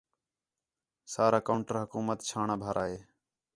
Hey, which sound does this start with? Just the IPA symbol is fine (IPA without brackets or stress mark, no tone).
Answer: s